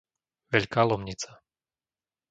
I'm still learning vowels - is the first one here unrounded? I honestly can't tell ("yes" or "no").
yes